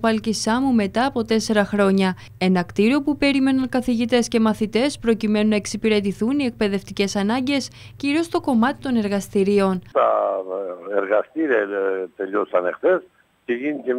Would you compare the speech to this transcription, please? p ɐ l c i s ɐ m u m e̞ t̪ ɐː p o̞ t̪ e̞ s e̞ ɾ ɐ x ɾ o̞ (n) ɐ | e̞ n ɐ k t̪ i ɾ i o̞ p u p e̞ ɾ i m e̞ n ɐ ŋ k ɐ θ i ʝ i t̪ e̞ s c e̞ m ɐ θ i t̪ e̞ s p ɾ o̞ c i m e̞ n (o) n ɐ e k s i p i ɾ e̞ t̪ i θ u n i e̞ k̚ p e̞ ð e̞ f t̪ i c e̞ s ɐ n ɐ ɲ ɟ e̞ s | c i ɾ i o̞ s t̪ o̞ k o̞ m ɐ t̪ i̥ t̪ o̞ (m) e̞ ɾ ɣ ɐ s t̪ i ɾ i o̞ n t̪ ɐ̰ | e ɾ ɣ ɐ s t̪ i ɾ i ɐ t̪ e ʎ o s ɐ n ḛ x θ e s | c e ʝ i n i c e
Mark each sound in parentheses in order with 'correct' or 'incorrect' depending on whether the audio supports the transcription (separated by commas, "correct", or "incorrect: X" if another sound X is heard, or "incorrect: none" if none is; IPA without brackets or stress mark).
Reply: incorrect: ɲ, incorrect: u, incorrect: n